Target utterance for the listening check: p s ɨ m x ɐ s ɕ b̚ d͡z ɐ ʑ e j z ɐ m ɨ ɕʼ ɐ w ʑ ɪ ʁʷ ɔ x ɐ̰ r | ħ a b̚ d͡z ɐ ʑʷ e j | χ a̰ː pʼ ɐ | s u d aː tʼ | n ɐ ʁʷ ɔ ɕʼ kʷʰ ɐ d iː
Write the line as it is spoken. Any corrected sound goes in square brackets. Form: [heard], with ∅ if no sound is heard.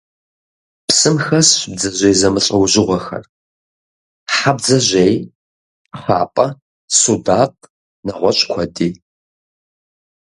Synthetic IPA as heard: p s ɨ m x ɐ s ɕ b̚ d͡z ɐ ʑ e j z ɐ m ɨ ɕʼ ɐ w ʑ ɪ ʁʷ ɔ x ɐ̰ r | ħ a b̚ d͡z ɐ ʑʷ e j | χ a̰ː pʼ ɐ | s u d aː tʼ | n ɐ ʁʷ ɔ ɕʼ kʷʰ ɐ d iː